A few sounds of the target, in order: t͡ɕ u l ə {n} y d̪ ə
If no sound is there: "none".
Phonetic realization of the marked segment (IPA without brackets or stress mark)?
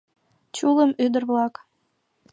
m